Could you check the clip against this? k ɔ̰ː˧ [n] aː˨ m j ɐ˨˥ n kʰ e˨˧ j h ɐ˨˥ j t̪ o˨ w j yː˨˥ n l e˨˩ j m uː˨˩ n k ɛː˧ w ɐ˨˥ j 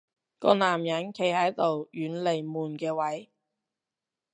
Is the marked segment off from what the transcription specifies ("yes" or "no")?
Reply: no